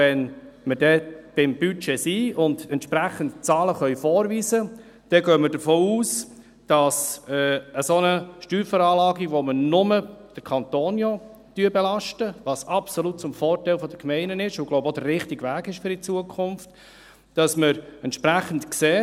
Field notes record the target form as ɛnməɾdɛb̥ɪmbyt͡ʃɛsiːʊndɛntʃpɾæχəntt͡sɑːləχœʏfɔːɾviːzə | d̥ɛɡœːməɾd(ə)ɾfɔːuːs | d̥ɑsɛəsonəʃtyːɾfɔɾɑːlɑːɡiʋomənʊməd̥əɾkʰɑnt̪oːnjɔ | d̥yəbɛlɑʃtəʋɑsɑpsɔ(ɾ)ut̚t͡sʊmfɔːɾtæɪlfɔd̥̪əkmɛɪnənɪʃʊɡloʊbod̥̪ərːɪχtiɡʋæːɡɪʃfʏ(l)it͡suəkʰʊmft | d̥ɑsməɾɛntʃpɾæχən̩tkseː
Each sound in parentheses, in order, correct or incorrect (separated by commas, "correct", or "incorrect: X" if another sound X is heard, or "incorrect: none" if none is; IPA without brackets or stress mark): correct, incorrect: l, incorrect: ɾ